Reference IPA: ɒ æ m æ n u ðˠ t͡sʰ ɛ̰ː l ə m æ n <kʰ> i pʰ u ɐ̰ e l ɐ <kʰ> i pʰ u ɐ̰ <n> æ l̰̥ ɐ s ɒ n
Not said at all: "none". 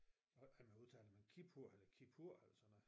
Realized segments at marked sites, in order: kʰ, kʰ, none

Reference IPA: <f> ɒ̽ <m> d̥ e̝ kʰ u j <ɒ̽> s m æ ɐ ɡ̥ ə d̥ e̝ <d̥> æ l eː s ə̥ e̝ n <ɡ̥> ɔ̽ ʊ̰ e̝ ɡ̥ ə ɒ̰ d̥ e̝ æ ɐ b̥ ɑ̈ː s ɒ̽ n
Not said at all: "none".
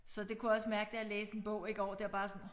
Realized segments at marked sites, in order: s, none, ɒ̽, none, b̥

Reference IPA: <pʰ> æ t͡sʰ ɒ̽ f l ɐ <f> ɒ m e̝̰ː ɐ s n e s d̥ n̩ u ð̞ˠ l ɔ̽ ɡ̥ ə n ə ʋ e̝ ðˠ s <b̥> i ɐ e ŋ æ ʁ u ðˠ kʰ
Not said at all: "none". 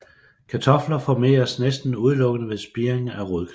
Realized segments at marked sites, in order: kʰ, f, b̥

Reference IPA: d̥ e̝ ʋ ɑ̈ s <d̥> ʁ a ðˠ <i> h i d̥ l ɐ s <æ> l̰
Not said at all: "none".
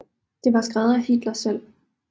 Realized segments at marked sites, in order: ɡ̥, æ, e

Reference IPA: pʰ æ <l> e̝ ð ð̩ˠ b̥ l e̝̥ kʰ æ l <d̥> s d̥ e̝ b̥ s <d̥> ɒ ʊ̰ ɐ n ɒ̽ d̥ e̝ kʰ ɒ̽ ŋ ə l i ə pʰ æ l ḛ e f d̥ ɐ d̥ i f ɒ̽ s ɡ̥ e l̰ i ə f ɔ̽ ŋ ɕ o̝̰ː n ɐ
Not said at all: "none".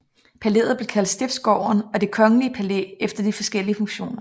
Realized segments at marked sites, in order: l, d̥, ɡ̥

